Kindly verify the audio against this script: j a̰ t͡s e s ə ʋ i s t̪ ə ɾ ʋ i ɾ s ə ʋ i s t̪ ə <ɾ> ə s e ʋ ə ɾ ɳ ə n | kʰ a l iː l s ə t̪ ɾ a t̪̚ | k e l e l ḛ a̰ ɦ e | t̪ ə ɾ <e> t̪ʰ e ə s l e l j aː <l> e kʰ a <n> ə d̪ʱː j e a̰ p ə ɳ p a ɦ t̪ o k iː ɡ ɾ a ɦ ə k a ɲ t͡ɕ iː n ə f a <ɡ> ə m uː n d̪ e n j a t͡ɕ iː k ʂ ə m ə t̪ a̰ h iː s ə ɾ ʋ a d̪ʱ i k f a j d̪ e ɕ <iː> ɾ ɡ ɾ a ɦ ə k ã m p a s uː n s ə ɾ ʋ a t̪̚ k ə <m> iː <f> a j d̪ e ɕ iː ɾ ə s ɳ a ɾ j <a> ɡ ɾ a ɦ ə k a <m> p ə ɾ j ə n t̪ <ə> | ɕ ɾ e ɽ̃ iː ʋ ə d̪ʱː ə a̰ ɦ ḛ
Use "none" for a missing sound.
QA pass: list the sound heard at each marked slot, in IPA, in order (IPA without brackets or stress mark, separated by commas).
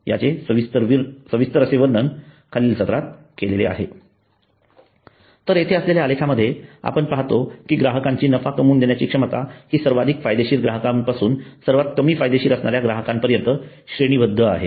ɾ, e, l, m, k, iː, m, f, a, m, ə